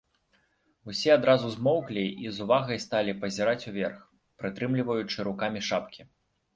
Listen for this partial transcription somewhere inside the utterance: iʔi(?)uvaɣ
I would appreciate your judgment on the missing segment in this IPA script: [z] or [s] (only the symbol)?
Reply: z